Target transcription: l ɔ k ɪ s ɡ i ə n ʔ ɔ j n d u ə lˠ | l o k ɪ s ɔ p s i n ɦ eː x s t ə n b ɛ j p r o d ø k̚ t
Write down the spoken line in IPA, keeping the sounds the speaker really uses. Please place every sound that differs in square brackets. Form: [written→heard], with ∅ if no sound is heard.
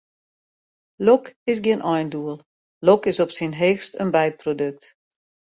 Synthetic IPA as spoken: l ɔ k ɪ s ɡ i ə n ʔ ɔ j n d u ə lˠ | l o k ɪ s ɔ p s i n ɦ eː x s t ə n b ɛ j p r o d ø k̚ t